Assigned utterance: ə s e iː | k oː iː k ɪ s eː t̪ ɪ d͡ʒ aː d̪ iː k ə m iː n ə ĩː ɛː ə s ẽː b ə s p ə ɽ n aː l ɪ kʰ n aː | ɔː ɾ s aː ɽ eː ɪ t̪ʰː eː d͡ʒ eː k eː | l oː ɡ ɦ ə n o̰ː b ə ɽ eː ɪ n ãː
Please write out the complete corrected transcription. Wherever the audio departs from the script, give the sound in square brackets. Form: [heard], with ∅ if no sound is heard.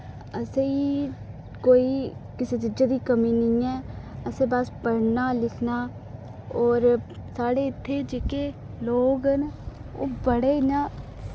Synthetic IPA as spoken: ə s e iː | k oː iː k ɪ s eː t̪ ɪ d͡ʒ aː d̪ iː k ə m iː n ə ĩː ɛː ə s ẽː b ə s p ə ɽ n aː l ɪ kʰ n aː | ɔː ɾ s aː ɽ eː ɪ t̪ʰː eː d͡ʒ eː k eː | l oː ɡ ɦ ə n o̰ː b ə ɽ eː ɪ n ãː